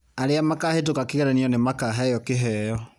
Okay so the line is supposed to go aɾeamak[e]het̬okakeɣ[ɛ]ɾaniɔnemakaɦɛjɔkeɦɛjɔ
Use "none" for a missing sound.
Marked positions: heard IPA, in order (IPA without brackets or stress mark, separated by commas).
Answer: a, ɛ